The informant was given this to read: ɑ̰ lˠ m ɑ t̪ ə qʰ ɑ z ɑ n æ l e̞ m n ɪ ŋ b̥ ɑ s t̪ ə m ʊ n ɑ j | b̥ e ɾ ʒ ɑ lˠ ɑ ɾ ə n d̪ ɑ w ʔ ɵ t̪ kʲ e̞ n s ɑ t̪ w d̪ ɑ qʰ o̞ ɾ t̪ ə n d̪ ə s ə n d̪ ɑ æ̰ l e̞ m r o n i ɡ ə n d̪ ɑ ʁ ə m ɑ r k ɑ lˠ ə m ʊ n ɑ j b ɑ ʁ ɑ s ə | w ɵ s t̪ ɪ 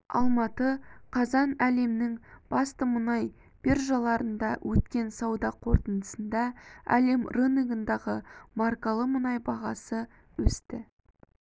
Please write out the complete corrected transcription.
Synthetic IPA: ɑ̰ lˠ m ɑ t̪ ə qʰ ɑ z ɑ n æ l e̞ m n ɪ ŋ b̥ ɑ s t̪ ə m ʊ n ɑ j | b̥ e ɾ ʒ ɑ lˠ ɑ ɾ ə n d̪ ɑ w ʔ ɵ t̪ kʲ e̞ n s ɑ w d̪ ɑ qʰ o̞ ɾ t̪ ə n d̪ ə s ə n d̪ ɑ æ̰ l e̞ m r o n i ɡ ə n d̪ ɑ ʁ ə m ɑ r k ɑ lˠ ə m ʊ n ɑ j b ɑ ʁ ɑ s ə | w ɵ s t̪ ɪ